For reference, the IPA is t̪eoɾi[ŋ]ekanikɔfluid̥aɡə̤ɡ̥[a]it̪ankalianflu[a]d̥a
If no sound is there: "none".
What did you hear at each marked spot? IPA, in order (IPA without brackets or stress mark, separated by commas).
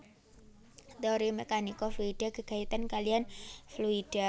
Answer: m, a, i